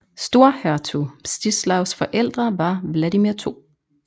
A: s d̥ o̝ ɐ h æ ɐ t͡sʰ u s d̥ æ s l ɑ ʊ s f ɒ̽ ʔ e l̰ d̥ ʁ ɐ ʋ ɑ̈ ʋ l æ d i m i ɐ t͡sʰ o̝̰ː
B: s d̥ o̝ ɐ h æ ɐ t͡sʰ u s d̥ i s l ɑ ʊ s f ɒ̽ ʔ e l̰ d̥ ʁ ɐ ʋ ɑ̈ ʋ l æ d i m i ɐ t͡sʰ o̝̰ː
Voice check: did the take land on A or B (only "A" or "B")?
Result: B